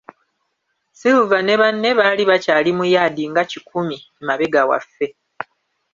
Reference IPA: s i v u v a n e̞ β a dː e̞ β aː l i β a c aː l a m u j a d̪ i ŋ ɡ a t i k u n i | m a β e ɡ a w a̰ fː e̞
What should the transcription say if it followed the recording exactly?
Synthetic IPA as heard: s i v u v a n e̞ β a nː e̞ β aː l i β a c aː l i m u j a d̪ i ŋ ɡ a c i k u m i | m a β e ɡ a w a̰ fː e̞